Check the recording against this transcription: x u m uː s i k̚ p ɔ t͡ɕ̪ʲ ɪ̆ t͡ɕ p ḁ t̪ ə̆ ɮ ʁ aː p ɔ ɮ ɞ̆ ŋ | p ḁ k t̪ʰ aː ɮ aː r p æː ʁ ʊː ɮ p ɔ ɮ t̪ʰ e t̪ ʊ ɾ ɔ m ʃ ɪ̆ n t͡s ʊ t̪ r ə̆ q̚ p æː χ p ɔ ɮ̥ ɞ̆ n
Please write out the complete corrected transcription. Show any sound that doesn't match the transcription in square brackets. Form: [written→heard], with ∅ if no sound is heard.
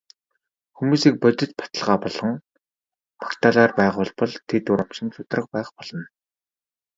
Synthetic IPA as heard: x u m uː s i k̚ p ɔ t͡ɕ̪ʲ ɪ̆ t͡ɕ p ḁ t̪ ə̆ ɮ ʁ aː p ɔ ɮ ɞ̆ ŋ | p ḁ k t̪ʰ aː ɮ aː r p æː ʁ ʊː ɮ p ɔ ɮ t̪ʰ e t̪ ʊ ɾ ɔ m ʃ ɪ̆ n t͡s ʊ t̪ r ə̆ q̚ p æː χ p ɔ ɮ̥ ɞ̆ n